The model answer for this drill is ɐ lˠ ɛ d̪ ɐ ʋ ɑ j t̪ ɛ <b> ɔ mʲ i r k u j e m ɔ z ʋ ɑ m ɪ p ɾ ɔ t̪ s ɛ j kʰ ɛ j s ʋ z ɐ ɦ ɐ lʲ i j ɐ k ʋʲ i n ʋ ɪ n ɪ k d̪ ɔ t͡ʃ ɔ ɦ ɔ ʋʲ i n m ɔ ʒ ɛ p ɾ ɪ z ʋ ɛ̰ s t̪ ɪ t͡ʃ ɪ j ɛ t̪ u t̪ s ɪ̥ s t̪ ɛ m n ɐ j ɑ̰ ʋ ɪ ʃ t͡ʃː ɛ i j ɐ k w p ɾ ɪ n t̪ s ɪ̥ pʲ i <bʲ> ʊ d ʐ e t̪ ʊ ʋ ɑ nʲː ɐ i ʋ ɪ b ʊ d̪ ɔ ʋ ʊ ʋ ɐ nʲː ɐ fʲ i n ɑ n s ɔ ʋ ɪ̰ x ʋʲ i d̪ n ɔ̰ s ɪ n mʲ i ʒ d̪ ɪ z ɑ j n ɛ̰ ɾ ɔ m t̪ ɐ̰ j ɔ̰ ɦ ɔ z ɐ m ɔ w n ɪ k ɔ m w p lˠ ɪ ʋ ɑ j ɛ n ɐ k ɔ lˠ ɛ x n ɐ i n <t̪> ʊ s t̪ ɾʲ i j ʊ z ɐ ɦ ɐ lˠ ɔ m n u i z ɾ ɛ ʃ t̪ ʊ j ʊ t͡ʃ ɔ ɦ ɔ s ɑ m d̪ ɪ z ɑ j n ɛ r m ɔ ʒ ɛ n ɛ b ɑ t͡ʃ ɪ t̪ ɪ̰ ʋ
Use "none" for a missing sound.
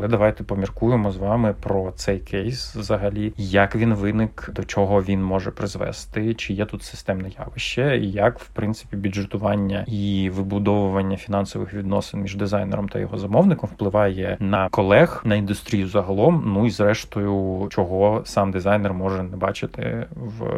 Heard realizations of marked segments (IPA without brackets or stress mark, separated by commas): p, bʲ, d̪